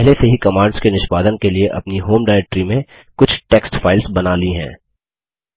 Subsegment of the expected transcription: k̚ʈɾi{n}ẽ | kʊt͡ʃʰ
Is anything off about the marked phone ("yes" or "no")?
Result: yes